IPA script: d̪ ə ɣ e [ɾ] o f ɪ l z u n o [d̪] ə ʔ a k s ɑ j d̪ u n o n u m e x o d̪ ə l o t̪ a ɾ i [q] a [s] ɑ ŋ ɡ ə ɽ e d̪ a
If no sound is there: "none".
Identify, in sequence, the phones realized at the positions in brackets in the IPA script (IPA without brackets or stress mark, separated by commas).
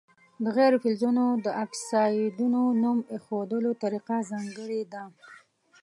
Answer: ɾ, d̪, q, z